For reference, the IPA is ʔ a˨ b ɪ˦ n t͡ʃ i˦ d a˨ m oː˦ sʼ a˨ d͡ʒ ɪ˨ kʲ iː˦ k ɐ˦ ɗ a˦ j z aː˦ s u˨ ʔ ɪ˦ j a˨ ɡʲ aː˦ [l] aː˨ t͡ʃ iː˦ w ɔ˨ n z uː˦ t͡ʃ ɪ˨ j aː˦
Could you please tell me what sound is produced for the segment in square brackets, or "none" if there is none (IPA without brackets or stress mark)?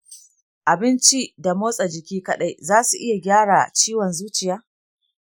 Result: ɽ